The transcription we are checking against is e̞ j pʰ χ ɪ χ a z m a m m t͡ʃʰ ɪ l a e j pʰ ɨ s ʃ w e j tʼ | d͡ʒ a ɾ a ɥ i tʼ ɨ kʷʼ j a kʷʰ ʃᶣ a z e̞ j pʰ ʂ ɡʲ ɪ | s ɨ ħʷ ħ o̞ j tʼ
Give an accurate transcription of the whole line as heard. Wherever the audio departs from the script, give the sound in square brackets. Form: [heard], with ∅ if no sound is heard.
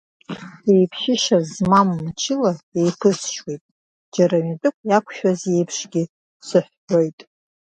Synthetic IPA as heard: e̞ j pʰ [ʃ] ɪ [ʃ] a z m a m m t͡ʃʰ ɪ l a e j pʰ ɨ s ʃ w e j tʼ | d͡ʒ a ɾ a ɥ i tʼ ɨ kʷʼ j a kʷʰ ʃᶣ a z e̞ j pʰ ʂ ɡʲ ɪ | s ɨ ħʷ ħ o̞ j tʼ

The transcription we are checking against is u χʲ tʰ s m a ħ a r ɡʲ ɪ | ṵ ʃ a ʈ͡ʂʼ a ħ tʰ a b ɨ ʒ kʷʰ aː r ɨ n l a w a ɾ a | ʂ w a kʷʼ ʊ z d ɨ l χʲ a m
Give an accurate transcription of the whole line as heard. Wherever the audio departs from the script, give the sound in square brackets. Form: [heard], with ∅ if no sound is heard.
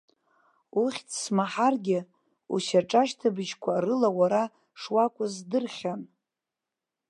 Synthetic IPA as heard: u χʲ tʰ s m a ħ a r ɡʲ ɪ | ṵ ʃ a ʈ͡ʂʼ a [ʃ] tʰ a b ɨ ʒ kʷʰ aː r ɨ [∅] l a w a ɾ a | ʂ w a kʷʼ ʊ z d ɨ [r] χʲ a [n]

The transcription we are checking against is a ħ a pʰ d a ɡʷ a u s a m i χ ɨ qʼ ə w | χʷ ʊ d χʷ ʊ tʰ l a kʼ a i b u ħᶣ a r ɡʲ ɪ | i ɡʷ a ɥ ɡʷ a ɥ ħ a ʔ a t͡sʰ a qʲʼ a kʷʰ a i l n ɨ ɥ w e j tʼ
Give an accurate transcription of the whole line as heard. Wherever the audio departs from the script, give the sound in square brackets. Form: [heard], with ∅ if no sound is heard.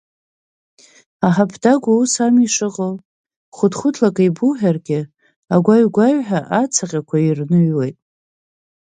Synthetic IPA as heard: a ħ a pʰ d a ɡʷ a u s a m i [ʂ] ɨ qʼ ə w | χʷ ʊ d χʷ ʊ tʰ l a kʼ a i b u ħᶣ a r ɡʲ ɪ | [a] ɡʷ a ɥ ɡʷ a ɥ ħ a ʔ a t͡sʰ a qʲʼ a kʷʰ a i [r] n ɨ ɥ w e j tʼ

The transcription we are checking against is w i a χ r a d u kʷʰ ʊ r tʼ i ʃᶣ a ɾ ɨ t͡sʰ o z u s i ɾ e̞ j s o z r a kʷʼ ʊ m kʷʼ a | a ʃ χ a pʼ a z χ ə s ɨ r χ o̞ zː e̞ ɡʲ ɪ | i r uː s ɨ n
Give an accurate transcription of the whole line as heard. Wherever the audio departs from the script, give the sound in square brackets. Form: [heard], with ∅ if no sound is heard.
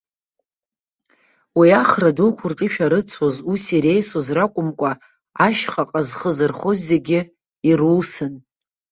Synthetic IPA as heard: w i a χ r a d u kʷʰ ʊ r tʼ i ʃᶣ a ɾ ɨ t͡sʰ o z u s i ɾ e̞ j s o z r a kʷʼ ʊ m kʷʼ a | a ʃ χ a [qʼ] a z χ ə [z] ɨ r χ o̞ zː e̞ ɡʲ ɪ | i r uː s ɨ n

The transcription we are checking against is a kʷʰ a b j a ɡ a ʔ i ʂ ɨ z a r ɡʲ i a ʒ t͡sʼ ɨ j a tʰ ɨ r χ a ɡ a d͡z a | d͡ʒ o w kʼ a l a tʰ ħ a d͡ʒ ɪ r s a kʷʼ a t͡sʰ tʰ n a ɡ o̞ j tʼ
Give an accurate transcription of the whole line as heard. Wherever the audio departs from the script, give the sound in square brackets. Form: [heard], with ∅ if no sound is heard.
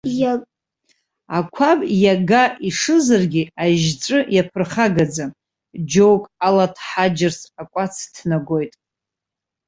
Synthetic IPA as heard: a kʷʰ a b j a ɡ a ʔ i ʂ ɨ z a r ɡʲ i a ʒ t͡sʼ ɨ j a [pʰ] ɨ r χ a ɡ a d͡z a | d͡ʒ o w kʼ a l a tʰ ħ a d͡ʒ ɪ r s a kʷʼ a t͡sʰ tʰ n a ɡ o̞ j tʼ

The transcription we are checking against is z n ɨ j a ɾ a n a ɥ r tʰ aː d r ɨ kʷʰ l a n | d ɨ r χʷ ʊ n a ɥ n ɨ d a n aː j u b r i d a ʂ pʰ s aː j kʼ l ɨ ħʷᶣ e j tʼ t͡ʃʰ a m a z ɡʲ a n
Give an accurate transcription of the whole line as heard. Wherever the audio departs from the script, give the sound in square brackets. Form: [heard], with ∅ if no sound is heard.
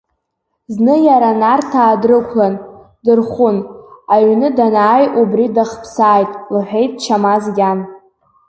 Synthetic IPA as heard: z n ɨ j a ɾ a n a [∅] r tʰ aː d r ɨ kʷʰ l a n | d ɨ r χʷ ʊ n a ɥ n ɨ d a n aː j u b r i d a [χ] pʰ s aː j [tʼ] l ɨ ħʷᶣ e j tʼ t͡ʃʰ a m a z ɡʲ a n

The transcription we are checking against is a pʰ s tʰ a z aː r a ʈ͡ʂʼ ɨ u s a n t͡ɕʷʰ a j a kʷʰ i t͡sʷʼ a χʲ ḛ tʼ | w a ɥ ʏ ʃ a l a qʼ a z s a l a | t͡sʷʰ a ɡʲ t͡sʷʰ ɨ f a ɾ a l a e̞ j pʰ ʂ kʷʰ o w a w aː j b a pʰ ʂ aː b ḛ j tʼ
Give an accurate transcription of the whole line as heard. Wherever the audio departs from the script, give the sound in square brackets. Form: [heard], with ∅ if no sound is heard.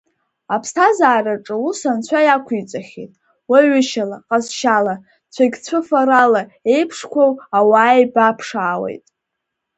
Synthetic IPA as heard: a pʰ s tʰ a z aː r a ʈ͡ʂʼ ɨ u s a n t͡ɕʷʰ a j a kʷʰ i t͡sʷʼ a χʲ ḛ tʼ | w a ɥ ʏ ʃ a l a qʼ a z [ʃ] a l a | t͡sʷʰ a ɡʲ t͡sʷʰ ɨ f a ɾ a l a e̞ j pʰ ʂ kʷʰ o w a w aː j b a pʰ ʂ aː [w] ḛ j tʼ

